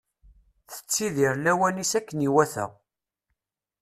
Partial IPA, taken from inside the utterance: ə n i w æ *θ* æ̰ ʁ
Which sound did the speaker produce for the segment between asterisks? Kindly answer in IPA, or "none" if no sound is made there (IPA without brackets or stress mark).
θ